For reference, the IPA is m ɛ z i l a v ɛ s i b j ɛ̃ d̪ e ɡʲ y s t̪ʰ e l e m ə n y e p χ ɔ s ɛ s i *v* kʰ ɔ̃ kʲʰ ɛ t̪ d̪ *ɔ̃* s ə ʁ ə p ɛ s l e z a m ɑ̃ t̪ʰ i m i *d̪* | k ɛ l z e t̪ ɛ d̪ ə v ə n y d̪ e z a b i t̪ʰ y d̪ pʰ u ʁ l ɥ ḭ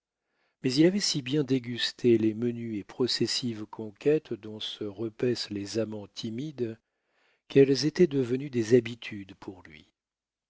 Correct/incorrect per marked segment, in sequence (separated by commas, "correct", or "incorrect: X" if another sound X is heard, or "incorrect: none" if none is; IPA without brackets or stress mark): correct, correct, correct